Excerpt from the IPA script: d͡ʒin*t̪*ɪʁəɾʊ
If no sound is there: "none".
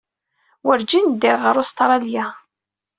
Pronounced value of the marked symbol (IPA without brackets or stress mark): d̪